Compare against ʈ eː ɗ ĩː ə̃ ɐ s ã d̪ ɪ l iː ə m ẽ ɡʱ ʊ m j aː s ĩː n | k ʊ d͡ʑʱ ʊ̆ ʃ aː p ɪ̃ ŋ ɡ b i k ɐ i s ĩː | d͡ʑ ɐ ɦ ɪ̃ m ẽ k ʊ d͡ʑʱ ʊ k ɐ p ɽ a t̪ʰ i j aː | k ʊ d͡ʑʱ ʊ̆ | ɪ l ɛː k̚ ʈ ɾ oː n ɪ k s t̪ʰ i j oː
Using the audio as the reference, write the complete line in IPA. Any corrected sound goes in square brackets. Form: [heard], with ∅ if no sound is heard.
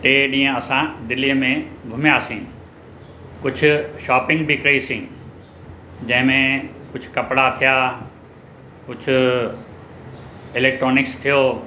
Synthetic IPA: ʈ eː ɗ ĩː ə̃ ɐ s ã d̪ ɪ l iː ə m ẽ ɡʱ ʊ m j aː s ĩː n | k ʊ d͡ʑʱ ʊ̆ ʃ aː p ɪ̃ ŋ ɡ b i k ɐ i s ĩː | d͡ʑ [ɐ̃] ɦ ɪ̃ m ẽ k ʊ d͡ʑʱ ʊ k ɐ p ɽ a t̪ʰ i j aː | k ʊ d͡ʑʱ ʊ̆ | ɪ l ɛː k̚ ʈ ɾ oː n ɪ k s t̪ʰ i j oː

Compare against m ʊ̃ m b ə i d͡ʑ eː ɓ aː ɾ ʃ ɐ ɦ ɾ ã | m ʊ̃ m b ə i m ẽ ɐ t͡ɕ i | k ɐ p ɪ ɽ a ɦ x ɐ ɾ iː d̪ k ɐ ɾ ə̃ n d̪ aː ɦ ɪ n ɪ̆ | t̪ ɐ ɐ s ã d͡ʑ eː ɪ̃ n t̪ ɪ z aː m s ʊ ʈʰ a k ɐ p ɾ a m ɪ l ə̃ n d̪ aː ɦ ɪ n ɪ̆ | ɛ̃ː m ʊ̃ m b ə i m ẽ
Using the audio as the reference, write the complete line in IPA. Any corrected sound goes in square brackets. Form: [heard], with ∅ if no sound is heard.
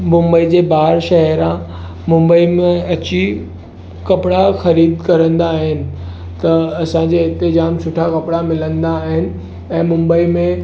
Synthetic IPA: m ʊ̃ m b ə i d͡ʑ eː [b] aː ɾ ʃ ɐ ɦ ɾ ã | m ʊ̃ m b ə i m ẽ ɐ t͡ɕ i | k ɐ p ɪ ɽ a [∅] x ɐ ɾ iː d̪ k ɐ ɾ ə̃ n d̪ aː ɦ ɪ n ɪ̆ | t̪ ɐ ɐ s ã d͡ʑ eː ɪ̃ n t̪ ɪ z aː m s ʊ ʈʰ a k ɐ p [ɽ] a m ɪ l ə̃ n d̪ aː ɦ ɪ n ɪ̆ | ɛ̃ː m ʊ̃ m b ə i m ẽ

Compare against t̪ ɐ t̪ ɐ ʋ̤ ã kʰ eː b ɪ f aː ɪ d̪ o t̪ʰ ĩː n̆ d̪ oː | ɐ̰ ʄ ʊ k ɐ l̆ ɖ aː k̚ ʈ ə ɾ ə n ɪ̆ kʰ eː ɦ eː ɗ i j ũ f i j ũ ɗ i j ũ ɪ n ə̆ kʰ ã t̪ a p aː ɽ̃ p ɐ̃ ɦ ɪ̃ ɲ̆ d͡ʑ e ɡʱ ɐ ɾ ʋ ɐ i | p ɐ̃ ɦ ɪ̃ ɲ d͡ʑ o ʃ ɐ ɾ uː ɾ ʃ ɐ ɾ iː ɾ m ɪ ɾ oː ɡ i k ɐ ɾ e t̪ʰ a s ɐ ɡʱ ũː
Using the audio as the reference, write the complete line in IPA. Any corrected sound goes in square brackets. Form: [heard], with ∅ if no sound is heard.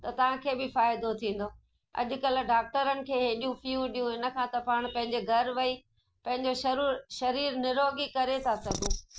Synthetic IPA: t̪ ɐ t̪ ɐ ʋ̤ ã kʰ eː b ɪ f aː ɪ d̪ o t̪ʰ ĩː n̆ d̪ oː | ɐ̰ ʄ ʊ k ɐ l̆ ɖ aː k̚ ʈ ə ɾ ə n ɪ̆ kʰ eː ɦ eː ɗ i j ũ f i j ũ ɗ i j ũ ɪ n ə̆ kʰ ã t̪ [ɐ] p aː ɽ̃ p ɐ̃ ɦ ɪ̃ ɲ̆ d͡ʑ e ɡʱ ɐ ɾ ʋ ɐ i | p ɐ̃ ɦ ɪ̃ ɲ d͡ʑ o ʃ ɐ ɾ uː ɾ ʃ ɐ ɾ iː ɾ [n] ɪ ɾ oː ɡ i k ɐ ɾ e t̪ʰ a s ɐ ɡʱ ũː

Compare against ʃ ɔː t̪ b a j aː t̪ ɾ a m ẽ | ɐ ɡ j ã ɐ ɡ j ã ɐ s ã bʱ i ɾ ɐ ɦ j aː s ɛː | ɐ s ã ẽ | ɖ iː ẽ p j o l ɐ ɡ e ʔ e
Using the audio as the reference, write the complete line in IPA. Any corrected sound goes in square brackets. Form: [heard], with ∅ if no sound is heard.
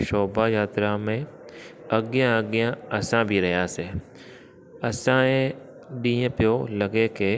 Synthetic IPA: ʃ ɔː [∅] b a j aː t̪ ɾ a m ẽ | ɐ ɡ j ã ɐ ɡ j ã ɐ s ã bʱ i ɾ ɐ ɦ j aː s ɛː | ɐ s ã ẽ | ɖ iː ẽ p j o l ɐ ɡ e [k] e

